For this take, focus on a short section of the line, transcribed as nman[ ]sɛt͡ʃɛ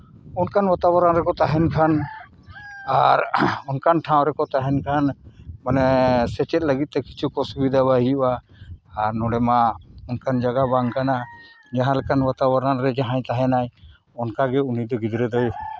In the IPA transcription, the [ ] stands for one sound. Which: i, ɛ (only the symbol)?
ɛ